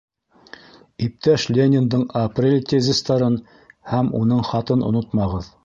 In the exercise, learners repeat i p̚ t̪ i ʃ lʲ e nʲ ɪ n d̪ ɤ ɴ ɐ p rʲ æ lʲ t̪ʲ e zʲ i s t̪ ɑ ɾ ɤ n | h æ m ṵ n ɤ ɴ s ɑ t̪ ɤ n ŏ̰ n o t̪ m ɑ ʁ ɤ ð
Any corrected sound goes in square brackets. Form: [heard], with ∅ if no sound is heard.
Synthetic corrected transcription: i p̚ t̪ [æ] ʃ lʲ e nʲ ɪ n d̪ ɤ ɴ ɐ p rʲ [e] lʲ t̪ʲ e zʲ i s t̪ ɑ ɾ ɤ n | h æ m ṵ n ɤ ɴ [χ] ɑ t̪ ɤ n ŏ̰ n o t̪ m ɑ ʁ ɤ ð